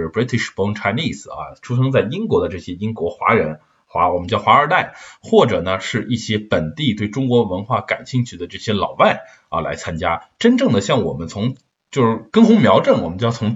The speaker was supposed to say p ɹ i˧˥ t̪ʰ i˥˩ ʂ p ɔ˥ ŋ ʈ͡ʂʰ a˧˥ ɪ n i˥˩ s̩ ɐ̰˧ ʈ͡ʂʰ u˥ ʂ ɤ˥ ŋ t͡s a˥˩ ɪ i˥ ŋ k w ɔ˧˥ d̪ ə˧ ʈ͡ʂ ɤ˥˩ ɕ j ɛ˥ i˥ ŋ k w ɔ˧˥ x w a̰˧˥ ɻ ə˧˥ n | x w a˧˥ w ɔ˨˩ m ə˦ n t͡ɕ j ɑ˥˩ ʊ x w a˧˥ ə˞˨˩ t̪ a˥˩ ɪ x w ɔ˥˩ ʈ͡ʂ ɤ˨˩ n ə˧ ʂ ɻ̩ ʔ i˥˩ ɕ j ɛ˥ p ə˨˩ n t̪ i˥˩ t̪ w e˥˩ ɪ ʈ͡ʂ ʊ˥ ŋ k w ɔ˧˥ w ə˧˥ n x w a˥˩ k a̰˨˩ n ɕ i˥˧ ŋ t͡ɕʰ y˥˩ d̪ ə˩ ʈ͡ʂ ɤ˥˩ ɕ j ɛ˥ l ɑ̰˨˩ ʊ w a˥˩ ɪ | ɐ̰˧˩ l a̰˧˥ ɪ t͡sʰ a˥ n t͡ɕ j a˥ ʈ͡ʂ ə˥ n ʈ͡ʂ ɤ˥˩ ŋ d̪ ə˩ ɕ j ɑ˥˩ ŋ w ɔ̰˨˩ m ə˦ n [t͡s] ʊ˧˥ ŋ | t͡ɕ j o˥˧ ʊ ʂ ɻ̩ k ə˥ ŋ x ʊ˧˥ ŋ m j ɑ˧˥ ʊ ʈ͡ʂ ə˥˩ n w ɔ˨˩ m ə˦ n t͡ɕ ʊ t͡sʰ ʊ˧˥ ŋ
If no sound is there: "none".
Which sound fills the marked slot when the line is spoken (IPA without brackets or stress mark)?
t͡sʰ